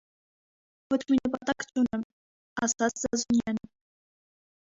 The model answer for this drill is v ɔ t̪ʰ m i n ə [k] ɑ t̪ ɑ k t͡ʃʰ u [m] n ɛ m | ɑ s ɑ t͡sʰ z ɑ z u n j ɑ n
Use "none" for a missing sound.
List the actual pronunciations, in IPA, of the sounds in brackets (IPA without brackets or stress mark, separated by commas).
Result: p, none